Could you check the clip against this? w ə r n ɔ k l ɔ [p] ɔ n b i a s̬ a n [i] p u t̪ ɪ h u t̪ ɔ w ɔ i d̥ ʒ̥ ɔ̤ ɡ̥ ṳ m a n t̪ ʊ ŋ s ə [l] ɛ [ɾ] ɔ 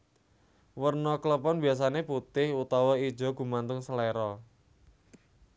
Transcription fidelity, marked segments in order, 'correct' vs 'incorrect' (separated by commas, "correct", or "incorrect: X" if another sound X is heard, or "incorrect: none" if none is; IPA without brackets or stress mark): correct, incorrect: e, correct, correct